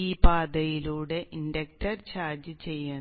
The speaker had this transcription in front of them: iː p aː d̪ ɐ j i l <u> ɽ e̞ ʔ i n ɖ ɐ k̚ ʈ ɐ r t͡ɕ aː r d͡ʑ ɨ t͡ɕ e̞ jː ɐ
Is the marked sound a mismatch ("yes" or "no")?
yes